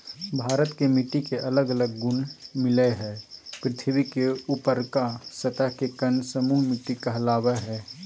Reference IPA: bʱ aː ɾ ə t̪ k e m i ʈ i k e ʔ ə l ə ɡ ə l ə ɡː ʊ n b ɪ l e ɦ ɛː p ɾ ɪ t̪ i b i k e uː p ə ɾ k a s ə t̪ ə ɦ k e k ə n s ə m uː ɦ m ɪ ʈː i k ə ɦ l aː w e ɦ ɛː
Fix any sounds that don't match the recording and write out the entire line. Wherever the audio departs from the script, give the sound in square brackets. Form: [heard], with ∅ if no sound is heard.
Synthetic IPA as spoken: bʱ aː ɾ ə t̪ k e m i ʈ i k e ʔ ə l ə ɡ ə l ə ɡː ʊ n [m] ɪ l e ɦ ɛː p ɾ ɪ [t̪ʰ] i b i k e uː p ə ɾ k a s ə t̪ ə ɦ k e k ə n s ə m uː ɦ m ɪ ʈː i k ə ɦ l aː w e ɦ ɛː